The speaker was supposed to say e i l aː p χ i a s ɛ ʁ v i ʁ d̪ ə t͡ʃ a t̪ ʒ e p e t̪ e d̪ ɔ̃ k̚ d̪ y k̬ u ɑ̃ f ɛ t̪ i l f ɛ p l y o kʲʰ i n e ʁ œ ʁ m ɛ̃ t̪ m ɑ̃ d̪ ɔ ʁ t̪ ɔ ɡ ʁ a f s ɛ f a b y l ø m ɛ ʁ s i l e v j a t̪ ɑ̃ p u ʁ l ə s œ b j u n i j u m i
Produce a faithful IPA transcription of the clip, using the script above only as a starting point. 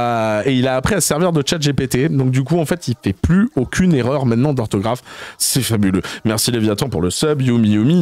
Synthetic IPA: e i l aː p χ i a s ɛ ʁ v i ʁ d̪ ə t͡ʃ a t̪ ʒ e p e t̪ e d̪ ɔ̃ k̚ d̪ y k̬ u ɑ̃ f ɛ t̪ i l f ɛ p l y o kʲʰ y n e ʁ œ ʁ m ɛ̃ t̪ n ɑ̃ d̪ ɔ ʁ t̪ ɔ ɡ ʁ a f s ɛ f a b y l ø m ɛ ʁ s i l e v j a t̪ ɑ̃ p u ʁ l ə s œ b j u m i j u m i